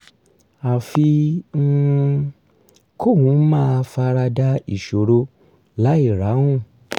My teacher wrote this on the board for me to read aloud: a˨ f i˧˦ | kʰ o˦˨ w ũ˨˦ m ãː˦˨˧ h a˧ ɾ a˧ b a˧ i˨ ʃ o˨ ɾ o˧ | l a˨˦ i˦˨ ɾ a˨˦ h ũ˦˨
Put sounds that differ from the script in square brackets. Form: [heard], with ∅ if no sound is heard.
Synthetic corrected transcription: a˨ f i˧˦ | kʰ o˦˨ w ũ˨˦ m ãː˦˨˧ [f] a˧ ɾ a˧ [d] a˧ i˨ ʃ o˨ ɾ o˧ | l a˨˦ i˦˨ ɾ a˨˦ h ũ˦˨